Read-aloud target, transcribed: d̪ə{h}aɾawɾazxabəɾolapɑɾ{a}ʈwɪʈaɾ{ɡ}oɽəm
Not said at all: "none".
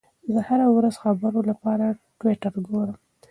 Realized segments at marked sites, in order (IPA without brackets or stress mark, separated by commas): h, a, ɡ